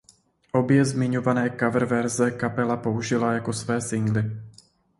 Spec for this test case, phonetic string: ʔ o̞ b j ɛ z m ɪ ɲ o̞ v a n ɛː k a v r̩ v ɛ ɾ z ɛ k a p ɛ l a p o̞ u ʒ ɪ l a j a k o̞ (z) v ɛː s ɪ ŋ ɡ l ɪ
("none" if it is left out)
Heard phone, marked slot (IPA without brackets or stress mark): s